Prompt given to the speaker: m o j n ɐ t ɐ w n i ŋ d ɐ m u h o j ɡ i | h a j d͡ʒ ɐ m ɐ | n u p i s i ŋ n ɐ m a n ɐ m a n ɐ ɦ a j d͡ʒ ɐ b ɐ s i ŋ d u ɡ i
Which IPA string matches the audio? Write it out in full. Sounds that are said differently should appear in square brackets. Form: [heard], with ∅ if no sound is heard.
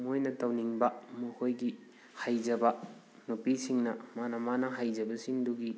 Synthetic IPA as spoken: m o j n ɐ t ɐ w n i ŋ [b] ɐ m u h o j ɡ i | h a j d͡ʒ ɐ [b] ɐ | n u p i s i ŋ n ɐ m a n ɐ m a n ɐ ɦ a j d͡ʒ ɐ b ɐ s i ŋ d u ɡ i